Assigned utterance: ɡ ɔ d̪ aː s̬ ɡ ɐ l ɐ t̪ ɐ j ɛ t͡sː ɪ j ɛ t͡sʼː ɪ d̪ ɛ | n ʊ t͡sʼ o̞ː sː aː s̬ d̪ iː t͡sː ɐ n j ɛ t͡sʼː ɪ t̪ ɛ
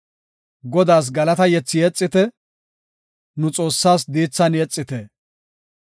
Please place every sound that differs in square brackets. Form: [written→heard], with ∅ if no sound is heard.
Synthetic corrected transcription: ɡ ɔ d̪ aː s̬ ɡ ɐ l ɐ t̪ ɐ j ɛ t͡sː ɪ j ɛ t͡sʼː ɪ [d̪→t̪] ɛ | n ʊ t͡sʼ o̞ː sː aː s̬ d̪ iː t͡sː ɐ n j ɛ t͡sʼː ɪ t̪ ɛ